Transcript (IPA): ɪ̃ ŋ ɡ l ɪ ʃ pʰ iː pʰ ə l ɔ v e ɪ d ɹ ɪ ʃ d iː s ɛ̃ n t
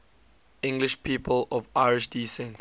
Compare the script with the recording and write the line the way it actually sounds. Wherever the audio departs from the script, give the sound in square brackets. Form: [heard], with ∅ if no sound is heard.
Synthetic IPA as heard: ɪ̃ ŋ ɡ l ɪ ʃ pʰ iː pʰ ə l ɔ v [a] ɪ [∅] ɹ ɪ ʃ d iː s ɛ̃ n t